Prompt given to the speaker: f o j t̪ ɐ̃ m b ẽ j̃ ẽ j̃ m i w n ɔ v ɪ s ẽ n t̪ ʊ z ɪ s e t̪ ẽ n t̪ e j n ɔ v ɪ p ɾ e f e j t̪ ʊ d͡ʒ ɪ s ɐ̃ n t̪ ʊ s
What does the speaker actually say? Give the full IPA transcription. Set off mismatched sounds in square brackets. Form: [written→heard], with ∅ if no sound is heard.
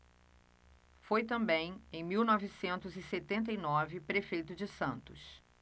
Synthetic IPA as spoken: f o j t̪ ɐ̃ m b ẽ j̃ ẽ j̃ m i w n ɔ v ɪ s ẽ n t̪ ʊ z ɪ s e t̪ ẽ n t̪ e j n ɔ v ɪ p ɾ e f e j t̪ ʊ d͡ʒ ɪ s ɐ̃ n t̪ ʊ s